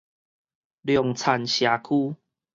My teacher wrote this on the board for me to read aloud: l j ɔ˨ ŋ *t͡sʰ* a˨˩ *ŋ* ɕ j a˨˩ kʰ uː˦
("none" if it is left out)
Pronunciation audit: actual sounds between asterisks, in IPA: t͡sʰ, n

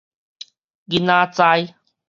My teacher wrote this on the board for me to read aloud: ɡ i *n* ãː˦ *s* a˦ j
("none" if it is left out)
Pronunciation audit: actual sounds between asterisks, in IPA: n, t͡s

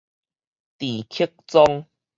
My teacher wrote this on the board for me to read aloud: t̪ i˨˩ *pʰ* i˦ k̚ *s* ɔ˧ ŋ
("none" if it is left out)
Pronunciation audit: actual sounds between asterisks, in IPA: kʰ, t͡s

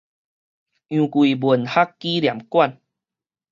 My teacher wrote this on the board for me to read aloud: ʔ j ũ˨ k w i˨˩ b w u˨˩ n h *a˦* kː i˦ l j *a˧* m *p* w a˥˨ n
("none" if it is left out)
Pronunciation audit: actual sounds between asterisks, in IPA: a˦, a˨˩, k

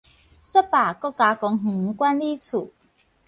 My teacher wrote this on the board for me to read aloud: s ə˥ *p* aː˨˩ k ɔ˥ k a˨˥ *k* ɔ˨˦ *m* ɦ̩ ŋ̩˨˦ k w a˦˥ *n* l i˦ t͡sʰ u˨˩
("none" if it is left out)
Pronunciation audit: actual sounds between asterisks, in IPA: p, k, ŋ, n

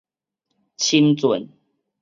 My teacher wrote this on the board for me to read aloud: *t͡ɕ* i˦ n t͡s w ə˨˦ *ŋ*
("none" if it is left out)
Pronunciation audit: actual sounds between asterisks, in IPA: t͡ɕʰ, n

